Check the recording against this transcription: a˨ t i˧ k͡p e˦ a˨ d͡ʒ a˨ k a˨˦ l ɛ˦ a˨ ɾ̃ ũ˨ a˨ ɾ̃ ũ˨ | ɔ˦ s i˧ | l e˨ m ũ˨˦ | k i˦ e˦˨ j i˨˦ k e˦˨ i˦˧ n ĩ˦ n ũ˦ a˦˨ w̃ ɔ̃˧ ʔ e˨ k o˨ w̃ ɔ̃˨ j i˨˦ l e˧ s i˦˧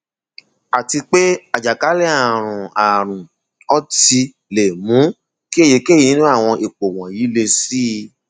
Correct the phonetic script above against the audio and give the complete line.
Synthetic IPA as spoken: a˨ t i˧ k͡p e˦ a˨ d͡ʒ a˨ k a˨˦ l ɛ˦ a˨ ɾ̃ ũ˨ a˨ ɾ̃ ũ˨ | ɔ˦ t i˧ | l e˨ m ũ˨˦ | k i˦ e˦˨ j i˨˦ k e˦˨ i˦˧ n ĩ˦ n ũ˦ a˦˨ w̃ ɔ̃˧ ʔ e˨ k͡p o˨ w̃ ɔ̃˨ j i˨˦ l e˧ s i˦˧